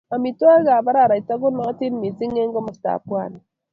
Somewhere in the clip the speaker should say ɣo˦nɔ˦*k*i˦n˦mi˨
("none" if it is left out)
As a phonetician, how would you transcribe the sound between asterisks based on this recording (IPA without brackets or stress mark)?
t